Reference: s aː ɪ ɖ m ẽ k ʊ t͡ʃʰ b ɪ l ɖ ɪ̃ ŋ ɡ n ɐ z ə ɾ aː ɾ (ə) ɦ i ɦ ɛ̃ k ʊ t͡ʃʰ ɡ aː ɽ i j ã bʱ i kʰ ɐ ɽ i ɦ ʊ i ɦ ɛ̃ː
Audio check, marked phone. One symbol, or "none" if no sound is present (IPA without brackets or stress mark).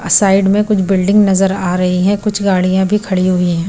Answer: ɐ